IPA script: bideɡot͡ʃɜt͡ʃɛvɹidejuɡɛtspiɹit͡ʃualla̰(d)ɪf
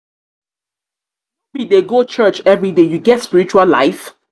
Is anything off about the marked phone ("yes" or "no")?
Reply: yes